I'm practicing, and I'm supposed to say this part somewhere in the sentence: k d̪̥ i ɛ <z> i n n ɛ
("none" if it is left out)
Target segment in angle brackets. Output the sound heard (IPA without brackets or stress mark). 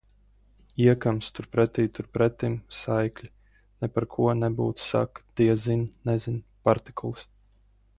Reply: z